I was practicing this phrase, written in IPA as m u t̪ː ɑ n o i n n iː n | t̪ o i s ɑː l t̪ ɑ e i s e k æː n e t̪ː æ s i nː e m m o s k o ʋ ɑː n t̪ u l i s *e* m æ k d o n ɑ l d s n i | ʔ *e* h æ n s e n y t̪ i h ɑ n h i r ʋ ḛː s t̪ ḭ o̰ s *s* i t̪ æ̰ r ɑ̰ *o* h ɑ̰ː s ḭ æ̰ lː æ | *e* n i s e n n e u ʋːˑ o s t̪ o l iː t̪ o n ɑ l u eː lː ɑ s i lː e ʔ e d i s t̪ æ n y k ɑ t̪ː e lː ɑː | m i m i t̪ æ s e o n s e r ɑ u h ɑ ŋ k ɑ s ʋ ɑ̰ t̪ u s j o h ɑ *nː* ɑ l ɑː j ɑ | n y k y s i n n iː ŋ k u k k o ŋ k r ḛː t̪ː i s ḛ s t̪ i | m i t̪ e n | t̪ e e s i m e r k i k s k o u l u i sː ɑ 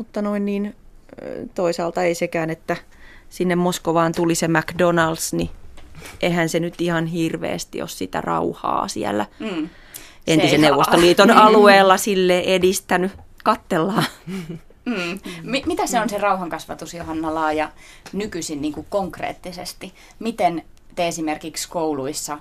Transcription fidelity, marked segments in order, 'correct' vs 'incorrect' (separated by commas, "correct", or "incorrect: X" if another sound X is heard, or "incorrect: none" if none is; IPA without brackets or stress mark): correct, correct, correct, incorrect: u, correct, correct